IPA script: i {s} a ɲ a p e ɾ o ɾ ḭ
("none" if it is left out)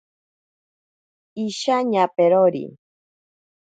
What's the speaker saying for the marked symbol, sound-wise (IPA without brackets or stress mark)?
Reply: ʃ